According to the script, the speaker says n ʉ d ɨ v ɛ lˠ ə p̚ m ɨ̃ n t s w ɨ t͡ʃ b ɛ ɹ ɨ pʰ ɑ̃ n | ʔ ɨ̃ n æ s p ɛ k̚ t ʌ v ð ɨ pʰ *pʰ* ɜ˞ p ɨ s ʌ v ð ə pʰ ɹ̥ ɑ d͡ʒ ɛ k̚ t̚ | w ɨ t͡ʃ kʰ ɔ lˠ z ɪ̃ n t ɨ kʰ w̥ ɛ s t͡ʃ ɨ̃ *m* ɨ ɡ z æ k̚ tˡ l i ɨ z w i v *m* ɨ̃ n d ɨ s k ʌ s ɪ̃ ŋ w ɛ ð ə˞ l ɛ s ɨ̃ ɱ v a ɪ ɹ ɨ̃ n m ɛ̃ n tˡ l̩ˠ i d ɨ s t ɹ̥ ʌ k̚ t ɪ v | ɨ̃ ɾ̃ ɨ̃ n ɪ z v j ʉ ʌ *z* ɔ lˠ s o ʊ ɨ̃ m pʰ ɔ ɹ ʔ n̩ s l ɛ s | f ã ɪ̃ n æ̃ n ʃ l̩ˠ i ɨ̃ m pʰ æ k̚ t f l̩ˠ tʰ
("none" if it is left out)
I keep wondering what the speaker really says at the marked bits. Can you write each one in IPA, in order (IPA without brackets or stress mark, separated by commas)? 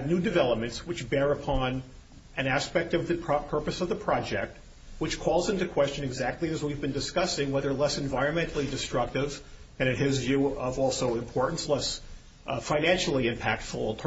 pʰ, n, b, v